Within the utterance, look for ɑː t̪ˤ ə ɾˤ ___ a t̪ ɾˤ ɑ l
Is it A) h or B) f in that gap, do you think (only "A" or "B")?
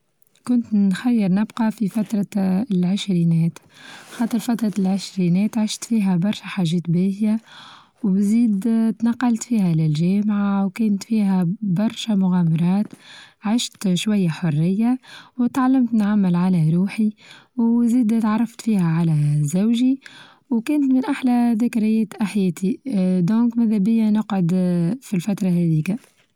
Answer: B